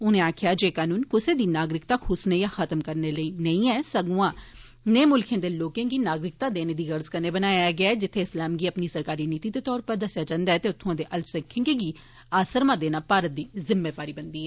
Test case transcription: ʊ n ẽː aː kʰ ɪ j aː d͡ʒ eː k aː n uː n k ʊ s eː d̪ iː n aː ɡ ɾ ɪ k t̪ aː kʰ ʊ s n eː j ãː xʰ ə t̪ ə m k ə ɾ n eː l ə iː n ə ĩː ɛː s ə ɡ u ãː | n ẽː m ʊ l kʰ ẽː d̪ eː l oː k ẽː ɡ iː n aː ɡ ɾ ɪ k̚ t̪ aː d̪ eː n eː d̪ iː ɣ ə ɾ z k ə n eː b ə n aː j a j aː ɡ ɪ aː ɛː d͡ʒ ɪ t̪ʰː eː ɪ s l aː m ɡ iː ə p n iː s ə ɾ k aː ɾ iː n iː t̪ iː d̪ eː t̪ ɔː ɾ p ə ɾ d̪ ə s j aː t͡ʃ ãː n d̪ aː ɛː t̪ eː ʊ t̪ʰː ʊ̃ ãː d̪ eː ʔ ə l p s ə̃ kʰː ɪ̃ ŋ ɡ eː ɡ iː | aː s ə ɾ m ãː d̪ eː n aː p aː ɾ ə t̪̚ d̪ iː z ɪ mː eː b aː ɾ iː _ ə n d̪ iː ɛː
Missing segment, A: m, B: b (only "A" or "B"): B